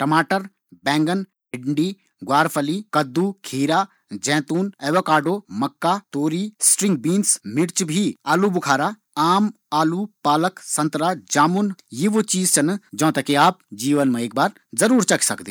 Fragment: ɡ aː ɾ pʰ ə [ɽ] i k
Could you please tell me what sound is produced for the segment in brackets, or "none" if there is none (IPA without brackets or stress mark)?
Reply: l